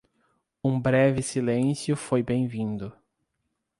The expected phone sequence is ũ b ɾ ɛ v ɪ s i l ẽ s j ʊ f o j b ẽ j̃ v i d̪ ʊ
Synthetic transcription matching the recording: ũ b ɾ ɛ v ɪ s i l ẽ s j ʊ f o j b ẽ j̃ v ĩ d̪ ʊ